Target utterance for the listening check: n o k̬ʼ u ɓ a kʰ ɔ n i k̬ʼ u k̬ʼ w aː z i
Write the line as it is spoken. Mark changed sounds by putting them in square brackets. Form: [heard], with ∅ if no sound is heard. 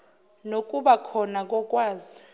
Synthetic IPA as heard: n o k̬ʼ u ɓ a kʰ ɔ n [a] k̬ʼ [ɔ] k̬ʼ w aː z i